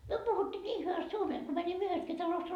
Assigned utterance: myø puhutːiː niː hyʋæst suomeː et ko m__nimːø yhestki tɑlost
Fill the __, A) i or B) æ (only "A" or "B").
B